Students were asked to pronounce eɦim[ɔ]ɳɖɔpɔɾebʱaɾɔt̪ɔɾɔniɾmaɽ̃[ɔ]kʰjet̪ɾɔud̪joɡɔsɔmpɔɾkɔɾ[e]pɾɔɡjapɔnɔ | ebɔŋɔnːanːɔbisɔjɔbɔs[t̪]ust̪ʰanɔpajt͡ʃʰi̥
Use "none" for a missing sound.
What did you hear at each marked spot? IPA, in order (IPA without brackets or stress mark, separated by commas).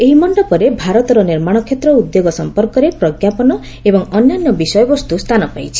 ɔ, ɔ, e, t̪